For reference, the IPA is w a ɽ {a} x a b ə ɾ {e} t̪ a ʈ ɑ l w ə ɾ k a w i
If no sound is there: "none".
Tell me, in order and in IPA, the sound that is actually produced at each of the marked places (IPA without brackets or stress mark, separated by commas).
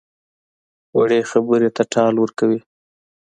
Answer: e, e